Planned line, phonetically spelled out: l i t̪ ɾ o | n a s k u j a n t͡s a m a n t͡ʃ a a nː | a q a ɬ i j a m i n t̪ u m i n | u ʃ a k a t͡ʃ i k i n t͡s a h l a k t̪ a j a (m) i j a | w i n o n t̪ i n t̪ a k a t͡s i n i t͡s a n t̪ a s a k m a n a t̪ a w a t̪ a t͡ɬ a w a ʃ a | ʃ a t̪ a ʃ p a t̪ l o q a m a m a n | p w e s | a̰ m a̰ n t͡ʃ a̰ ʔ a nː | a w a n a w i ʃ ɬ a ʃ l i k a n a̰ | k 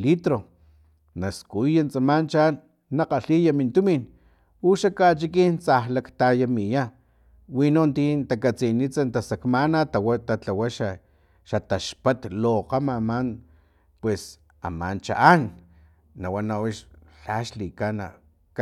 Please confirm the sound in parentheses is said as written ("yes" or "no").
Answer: yes